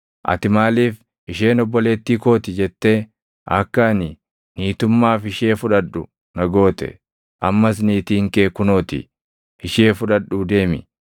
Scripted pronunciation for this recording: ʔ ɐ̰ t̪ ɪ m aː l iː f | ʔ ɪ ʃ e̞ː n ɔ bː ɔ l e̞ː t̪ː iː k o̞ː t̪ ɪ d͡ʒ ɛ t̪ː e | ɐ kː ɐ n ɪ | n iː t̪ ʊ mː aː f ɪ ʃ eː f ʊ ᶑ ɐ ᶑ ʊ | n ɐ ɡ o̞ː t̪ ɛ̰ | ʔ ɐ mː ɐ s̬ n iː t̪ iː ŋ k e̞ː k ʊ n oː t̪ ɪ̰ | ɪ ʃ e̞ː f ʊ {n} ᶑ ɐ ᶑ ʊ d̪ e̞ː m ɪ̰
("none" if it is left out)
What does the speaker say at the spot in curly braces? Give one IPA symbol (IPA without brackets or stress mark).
none